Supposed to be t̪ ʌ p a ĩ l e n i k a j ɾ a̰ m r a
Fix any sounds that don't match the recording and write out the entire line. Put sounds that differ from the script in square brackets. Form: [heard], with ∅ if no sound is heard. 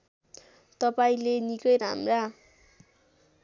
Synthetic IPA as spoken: t̪ ʌ p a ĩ l e n i k [ʌ] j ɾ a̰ m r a